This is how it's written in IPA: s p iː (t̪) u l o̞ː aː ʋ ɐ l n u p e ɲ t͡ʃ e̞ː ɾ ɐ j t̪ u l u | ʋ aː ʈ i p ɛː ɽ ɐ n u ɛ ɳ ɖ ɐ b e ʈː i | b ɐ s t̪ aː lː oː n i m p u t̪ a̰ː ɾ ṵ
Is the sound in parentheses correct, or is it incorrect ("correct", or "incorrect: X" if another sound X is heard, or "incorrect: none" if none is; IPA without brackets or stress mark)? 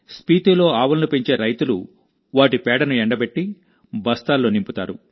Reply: correct